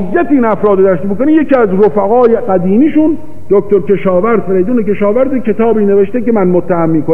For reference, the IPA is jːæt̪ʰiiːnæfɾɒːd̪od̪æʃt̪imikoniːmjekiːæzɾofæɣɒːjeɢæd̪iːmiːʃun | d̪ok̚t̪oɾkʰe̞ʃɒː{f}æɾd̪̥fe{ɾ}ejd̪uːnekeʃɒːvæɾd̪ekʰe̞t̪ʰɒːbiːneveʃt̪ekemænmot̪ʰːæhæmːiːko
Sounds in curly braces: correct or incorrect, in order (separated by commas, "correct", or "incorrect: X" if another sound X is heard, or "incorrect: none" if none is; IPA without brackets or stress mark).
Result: incorrect: v, correct